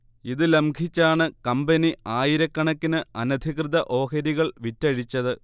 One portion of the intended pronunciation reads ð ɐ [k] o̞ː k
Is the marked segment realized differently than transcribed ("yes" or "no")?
yes